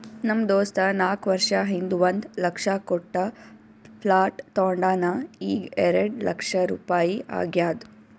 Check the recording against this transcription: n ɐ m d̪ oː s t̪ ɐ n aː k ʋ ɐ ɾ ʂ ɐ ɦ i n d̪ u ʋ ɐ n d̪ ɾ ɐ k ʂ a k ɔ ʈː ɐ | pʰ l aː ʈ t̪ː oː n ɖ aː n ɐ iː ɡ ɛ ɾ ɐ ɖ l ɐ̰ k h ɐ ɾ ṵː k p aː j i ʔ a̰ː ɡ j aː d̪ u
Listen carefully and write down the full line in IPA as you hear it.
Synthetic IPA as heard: n ɐ m d̪ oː s t̪ ɐ n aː k ʋ ɐ ɾ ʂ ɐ ɦ i n d̪ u ʋ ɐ n d̪ l ɐ k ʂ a k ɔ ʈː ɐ | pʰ l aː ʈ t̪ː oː ɳ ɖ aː n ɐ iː ɡ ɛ ɾ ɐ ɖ l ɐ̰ k ʂ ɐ ɾ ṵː p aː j i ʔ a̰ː ɡ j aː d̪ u